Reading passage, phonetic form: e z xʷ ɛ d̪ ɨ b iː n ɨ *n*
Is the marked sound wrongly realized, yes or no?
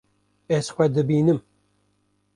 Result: yes